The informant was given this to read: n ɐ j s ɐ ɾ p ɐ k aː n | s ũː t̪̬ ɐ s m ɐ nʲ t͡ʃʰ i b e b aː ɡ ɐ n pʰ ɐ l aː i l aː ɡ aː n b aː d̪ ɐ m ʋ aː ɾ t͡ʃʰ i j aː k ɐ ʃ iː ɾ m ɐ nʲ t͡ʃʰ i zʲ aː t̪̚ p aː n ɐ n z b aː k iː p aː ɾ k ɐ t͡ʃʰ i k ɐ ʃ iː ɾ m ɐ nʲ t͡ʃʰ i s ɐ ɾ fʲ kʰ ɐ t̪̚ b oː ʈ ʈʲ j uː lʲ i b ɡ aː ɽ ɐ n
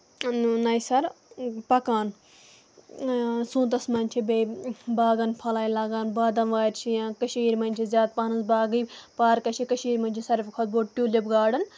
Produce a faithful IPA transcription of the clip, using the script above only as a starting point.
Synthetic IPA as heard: n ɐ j s ɐ ɾ p ɐ k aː n | s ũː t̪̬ ɐ s m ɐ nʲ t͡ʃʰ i b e b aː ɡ ɐ n pʰ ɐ l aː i l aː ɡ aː n b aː d̪ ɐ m ʋ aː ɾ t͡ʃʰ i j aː k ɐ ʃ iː ɾ m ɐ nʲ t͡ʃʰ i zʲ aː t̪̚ p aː n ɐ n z b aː ɡ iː p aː ɾ k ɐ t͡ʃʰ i k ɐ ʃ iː ɾ m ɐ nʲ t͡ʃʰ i s ɐ ɾ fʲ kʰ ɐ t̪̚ b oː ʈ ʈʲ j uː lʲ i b ɡ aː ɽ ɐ n